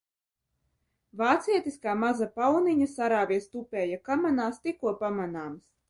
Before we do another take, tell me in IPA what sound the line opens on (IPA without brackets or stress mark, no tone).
v